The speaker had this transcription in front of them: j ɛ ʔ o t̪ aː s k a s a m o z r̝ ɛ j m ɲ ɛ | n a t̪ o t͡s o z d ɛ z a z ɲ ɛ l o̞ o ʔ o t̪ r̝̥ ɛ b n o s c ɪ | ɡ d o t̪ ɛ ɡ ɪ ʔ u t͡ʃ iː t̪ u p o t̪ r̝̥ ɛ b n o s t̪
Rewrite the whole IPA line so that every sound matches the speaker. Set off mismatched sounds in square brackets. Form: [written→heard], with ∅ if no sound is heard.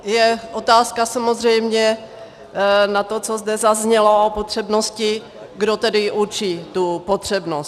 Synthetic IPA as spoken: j ɛ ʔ o t̪ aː s k a s a m o z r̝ ɛ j m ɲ ɛ | n a t̪ o t͡s o z d ɛ z a z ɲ ɛ l o̞ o [ʔ→p] o t̪ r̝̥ ɛ b n o s c ɪ | ɡ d o t̪ ɛ [ɡ→d] ɪ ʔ u t͡ʃ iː t̪ u p o t̪ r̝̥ ɛ b n o s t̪

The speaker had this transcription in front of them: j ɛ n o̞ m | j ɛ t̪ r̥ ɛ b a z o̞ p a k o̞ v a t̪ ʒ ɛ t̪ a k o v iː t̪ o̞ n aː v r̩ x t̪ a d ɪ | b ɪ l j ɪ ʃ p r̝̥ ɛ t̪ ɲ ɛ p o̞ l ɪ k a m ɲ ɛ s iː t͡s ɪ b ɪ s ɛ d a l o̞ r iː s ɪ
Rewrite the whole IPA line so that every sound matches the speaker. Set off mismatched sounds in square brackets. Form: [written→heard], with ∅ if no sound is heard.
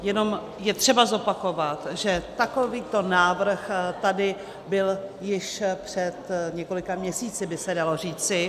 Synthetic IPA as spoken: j ɛ n o̞ m | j ɛ t̪ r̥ ɛ b a z o̞ p a k o̞ v a t̪ ʒ ɛ t̪ a k o v iː t̪ o̞ n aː v r̩ x t̪ a d ɪ | b ɪ l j ɪ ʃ p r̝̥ ɛ t̪ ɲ ɛ [p→k] o̞ l ɪ k a m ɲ ɛ s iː t͡s ɪ b ɪ s ɛ d a l o̞ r iː [s→t͡s] ɪ

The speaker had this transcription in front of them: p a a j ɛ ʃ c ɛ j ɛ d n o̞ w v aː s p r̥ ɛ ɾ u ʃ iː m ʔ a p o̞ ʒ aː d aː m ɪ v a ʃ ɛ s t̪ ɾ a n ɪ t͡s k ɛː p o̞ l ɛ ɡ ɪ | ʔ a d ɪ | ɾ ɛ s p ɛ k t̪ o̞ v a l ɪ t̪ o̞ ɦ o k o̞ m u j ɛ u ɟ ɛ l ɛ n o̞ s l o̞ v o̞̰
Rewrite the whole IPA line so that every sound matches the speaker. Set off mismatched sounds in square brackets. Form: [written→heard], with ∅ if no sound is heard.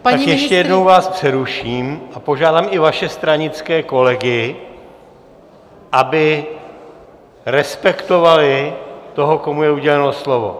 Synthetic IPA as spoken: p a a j ɛ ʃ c ɛ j ɛ d n o̞ w v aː s p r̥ ɛ ɾ u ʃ iː m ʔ a p o̞ ʒ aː d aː m ɪ v a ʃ ɛ s t̪ ɾ a [n→ɲ] ɪ t͡s k ɛː [p→k] o̞ l ɛ ɡ ɪ | ʔ a [d→b] ɪ | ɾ ɛ s p ɛ k t̪ o̞ v a l ɪ t̪ o̞ ɦ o k o̞ m u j ɛ u ɟ ɛ l ɛ n o̞ s l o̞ v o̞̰

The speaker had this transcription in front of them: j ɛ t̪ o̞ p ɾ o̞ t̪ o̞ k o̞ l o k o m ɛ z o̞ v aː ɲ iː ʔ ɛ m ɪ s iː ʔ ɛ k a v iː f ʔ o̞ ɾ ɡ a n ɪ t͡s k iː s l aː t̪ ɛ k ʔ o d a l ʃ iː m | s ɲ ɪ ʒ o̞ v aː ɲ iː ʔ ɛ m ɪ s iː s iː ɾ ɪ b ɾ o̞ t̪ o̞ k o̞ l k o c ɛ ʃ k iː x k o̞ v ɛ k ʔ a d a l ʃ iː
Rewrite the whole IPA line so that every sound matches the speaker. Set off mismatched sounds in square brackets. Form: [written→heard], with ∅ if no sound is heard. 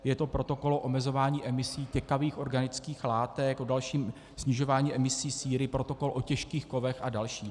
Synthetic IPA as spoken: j ɛ t̪ o̞ p ɾ o̞ t̪ o̞ k o̞ l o [k→ʔ] o m ɛ z o̞ v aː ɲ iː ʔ ɛ m ɪ s iː [ʔ→c] ɛ k a v iː [f→x] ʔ o̞ ɾ ɡ a n ɪ t͡s k iː [s→x] l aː t̪ ɛ k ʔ o d a l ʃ iː m | s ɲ ɪ ʒ o̞ v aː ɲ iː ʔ ɛ m ɪ s iː s iː ɾ ɪ [b→p] ɾ o̞ t̪ o̞ k o̞ l [k→ʔ] o c ɛ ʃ k iː x k o̞ v ɛ [k→x] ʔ a d a l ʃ iː

